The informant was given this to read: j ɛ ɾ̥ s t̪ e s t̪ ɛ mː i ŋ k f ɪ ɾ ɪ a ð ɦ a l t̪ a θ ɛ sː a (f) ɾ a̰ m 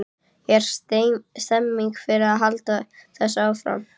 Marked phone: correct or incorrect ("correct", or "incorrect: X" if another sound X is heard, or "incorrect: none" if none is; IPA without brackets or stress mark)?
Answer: correct